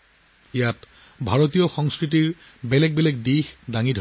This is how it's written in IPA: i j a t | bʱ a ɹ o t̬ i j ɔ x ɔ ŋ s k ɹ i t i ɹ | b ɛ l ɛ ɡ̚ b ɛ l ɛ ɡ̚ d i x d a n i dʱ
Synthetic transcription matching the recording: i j a t | bʱ a ɹ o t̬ i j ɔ x ɔ ŋ s k ɹ i t i ɹ | b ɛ l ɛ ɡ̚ b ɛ l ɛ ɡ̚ d i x d a ŋ i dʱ